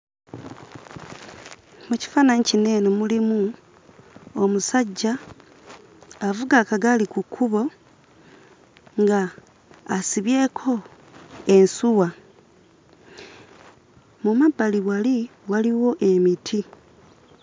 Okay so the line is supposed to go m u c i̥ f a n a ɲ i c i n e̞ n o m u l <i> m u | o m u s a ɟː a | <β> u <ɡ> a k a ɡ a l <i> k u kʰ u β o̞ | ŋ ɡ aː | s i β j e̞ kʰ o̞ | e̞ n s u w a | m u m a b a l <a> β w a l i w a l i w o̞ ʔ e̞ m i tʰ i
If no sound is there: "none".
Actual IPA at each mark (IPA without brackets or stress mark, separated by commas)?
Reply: i, v, ɡ, i, i